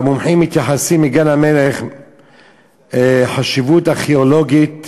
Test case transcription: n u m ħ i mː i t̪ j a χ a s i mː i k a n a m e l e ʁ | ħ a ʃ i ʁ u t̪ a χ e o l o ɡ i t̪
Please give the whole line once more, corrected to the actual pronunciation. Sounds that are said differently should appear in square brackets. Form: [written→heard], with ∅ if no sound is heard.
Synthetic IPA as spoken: [n→m] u m ħ i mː i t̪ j a [χ→ħ] a s i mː i [k→ɡ] a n a m e l e [ʁ→χ] | ħ a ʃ i [ʁ→v] u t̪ a χ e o l o ɡ i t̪